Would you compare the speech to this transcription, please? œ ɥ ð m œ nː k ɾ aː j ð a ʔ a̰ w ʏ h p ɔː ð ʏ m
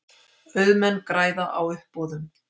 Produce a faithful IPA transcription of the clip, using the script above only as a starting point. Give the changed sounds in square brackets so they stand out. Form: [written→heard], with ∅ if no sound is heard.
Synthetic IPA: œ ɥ ð m [œ→ɛ] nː k ɾ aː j ð a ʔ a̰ w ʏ h p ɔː ð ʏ m